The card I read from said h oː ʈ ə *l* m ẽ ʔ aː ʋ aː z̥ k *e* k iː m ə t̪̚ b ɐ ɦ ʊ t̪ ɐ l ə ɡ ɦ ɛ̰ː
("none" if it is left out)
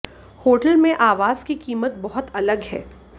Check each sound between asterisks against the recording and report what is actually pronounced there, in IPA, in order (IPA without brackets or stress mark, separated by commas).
l, i